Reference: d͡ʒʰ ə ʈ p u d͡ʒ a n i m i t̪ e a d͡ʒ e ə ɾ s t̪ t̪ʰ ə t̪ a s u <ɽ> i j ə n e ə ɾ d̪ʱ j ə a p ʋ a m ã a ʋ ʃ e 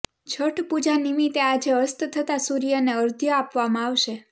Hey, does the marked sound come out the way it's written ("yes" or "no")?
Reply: no